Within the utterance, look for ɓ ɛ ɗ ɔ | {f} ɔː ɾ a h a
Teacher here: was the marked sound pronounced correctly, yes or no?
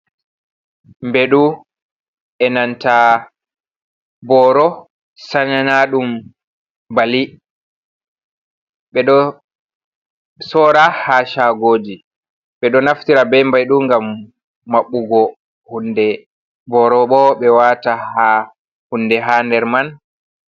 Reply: no